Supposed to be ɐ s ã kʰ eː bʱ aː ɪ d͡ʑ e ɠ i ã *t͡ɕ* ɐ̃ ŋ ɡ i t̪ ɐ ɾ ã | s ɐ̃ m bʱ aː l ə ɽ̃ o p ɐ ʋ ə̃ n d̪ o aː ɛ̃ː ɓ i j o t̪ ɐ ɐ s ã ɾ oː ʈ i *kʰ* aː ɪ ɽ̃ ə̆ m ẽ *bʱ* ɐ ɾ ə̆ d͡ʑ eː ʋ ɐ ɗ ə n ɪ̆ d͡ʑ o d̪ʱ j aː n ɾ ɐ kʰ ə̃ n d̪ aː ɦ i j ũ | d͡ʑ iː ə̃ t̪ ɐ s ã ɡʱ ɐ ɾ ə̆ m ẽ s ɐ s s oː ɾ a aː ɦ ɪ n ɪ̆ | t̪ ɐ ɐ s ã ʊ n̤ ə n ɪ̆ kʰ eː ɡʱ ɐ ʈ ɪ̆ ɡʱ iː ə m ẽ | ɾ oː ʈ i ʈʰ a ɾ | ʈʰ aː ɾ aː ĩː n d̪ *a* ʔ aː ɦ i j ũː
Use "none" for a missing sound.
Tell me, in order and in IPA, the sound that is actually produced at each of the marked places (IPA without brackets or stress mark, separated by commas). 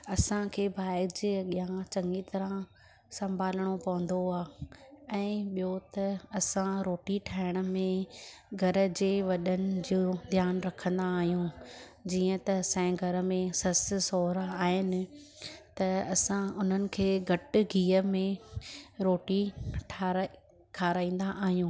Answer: t͡ɕ, ʈʰ, ɡʱ, a